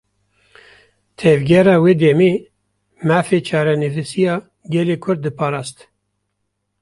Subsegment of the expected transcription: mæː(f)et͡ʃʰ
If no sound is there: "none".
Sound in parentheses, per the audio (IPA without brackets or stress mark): f